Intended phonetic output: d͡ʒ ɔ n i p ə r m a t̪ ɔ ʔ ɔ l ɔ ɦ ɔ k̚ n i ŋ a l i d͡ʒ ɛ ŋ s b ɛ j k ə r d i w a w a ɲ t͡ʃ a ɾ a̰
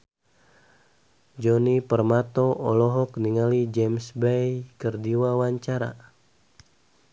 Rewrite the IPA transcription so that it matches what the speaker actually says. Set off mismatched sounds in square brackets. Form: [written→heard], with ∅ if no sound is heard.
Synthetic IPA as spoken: d͡ʒ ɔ n i p ə r m a t̪ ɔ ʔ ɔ l ɔ ɦ ɔ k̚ n i ŋ a l i d͡ʒ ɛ [ŋ→m] s b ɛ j k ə r d i w a w a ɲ t͡ʃ a ɾ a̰